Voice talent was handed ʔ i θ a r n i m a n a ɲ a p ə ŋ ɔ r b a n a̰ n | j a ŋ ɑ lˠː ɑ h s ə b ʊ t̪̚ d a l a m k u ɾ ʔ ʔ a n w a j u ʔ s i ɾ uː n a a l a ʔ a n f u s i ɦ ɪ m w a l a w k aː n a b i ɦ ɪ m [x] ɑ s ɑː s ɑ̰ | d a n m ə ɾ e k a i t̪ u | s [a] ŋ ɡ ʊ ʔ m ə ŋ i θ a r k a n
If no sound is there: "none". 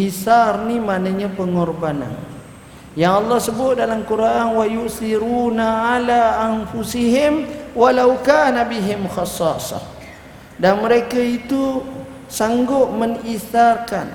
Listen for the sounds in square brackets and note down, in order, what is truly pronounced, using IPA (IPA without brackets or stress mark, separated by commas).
x, a